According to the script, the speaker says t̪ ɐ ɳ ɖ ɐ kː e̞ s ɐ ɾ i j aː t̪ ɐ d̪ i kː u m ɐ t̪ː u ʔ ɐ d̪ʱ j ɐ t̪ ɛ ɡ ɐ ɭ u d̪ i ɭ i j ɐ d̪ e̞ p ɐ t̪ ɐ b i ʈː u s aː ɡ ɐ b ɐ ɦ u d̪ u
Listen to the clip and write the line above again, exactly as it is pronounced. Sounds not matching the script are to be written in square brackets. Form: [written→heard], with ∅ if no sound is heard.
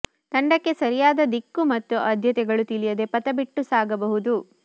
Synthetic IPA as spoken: t̪ ɐ ɳ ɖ ɐ kː e̞ s ɐ ɾ i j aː [t̪→d̪] ɐ d̪ i kː u m ɐ t̪ː u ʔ ɐ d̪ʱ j ɐ t̪ ɛ ɡ ɐ ɭ u [d̪→t̪] i [ɭ→l] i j ɐ d̪ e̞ p ɐ t̪ ɐ b i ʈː u s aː ɡ ɐ b ɐ ɦ u d̪ u

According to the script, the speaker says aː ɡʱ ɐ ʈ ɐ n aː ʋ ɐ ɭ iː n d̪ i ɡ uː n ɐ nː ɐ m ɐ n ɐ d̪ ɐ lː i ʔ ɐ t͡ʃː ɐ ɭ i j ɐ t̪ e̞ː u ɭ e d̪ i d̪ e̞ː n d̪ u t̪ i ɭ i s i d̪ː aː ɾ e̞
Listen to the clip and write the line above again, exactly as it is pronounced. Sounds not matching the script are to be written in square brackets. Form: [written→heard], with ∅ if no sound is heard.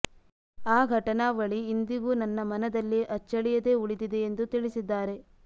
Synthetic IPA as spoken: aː ɡʱ ɐ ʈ ɐ n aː ʋ ɐ ɭ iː n d̪ i ɡ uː n ɐ nː ɐ m ɐ n ɐ d̪ ɐ lː i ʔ ɐ t͡ʃː ɐ ɭ i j ɐ [t̪→d̪] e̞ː u ɭ [e→i] d̪ i d̪ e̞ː n d̪ u t̪ i ɭ i s i d̪ː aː ɾ e̞

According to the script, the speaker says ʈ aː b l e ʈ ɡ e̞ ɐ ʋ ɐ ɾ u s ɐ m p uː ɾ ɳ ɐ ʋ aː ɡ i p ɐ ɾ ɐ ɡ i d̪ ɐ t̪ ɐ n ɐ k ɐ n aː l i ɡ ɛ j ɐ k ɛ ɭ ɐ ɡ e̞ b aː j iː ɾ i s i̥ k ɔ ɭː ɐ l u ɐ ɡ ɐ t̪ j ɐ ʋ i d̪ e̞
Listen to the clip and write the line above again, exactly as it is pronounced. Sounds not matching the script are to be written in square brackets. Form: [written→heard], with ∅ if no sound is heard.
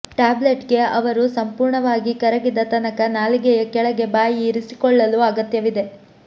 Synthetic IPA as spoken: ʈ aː b l e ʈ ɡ e̞ ɐ ʋ ɐ ɾ u s ɐ m p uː ɾ ɳ ɐ ʋ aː ɡ i [p→k] ɐ ɾ ɐ ɡ i d̪ ɐ t̪ ɐ n ɐ k ɐ n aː l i ɡ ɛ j ɐ k ɛ ɭ ɐ ɡ e̞ b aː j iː ɾ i s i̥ k ɔ ɭː ɐ l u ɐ ɡ ɐ t̪ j ɐ ʋ i d̪ e̞

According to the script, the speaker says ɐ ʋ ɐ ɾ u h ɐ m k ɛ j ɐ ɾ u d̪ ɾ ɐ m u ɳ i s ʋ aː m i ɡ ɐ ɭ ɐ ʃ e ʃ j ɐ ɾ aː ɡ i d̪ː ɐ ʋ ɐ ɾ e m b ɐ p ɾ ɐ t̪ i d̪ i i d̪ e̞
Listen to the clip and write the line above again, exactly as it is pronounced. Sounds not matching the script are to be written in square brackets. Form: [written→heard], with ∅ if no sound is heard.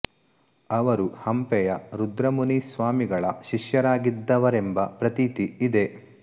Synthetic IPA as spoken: ɐ ʋ ɐ ɾ u h ɐ m [k→p] ɛ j ɐ ɾ u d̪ ɾ ɐ m u [ɳ→n] i s ʋ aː m i ɡ ɐ ɭ ɐ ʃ [e→i] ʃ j ɐ ɾ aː ɡ i d̪ː ɐ ʋ ɐ ɾ e m b ɐ p ɾ ɐ t̪ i [d̪→t̪] i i d̪ e̞

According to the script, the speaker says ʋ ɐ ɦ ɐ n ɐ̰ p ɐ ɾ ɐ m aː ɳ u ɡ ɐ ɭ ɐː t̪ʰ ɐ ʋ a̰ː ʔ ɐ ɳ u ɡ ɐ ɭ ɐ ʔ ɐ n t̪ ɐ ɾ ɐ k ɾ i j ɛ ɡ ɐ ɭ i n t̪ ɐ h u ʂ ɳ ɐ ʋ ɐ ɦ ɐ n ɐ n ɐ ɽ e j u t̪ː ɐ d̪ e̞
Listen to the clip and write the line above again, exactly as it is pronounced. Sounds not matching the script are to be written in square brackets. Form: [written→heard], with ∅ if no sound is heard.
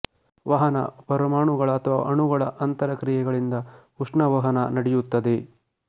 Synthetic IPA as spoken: ʋ ɐ ɦ ɐ n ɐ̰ p ɐ ɾ ɐ m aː ɳ u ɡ ɐ ɭ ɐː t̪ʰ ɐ ʋ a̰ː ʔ ɐ ɳ u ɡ ɐ ɭ ɐ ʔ ɐ n t̪ ɐ ɾ ɐ k ɾ i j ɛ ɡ ɐ ɭ i n [t̪→d̪] ɐ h u ʂ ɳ ɐ ʋ ɐ ɦ ɐ n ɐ n ɐ ɽ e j u t̪ː ɐ d̪ e̞

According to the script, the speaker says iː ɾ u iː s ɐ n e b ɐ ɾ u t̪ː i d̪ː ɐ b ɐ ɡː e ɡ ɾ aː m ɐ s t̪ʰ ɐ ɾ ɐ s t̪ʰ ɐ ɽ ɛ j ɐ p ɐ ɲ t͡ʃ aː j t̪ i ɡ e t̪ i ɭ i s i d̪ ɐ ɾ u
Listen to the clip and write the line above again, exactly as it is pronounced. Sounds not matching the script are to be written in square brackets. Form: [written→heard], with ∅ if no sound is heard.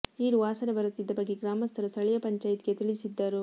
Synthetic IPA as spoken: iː ɾ u [iː→aː] s ɐ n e b ɐ ɾ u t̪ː i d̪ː ɐ b ɐ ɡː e ɡ ɾ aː m ɐ s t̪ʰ ɐ ɾ ɐ s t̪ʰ ɐ [ɽ→ɭ] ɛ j ɐ p ɐ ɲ t͡ʃ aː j t̪ i ɡ e t̪ i ɭ i s i [d̪→d̪ː] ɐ ɾ u

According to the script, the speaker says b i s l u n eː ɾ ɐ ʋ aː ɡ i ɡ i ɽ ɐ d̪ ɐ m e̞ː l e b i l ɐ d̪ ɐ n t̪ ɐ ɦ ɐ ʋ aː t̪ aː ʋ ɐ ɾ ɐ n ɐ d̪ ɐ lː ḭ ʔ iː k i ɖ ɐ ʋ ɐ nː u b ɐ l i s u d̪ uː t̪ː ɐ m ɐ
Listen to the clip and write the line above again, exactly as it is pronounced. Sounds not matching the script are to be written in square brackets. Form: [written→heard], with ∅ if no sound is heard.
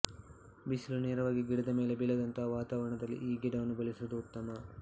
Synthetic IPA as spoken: b i s l u n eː ɾ ɐ ʋ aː ɡ i ɡ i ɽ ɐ d̪ ɐ m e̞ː l e b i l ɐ d̪ ɐ n t̪ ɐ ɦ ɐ ʋ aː t̪ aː ʋ ɐ ɾ ɐ [n→ɳ] ɐ d̪ ɐ lː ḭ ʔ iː [k→ɡ] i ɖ ɐ ʋ ɐ nː u b ɐ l i s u d̪ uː t̪ː ɐ m ɐ

